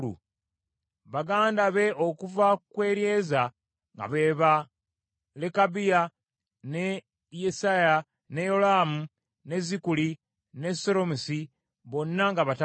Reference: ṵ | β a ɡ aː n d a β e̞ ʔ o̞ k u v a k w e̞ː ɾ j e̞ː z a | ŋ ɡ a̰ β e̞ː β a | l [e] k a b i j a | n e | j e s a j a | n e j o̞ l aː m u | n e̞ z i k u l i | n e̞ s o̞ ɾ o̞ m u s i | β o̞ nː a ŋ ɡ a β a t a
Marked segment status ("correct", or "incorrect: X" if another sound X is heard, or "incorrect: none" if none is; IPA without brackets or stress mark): correct